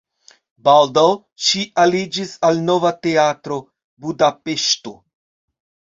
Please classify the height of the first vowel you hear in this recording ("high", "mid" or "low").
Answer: low